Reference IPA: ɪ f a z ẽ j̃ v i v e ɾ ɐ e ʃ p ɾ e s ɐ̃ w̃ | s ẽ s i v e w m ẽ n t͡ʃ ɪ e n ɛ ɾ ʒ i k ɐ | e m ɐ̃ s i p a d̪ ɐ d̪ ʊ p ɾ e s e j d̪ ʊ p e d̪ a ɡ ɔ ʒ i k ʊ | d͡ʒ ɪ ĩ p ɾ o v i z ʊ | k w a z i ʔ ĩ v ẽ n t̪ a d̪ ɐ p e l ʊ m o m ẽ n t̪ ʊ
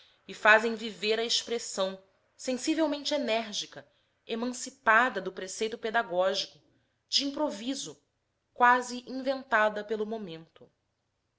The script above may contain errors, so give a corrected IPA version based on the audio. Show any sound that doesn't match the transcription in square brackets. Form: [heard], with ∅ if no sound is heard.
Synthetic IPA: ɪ f a z ẽ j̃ v i v e ɾ ɐ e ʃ p ɾ e s ɐ̃ w̃ | s ẽ s i v e w m ẽ n t͡ʃ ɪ e n ɛ ɾ ʒ i k ɐ | e m ɐ̃ s i p a d̪ ɐ d̪ ʊ p ɾ e s e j [t̪] ʊ p e d̪ a ɡ ɔ ʒ i k ʊ | d͡ʒ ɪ ĩ p ɾ o v i z ʊ | k w a z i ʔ ĩ v ẽ n t̪ a d̪ ɐ p e l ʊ m o m ẽ n t̪ ʊ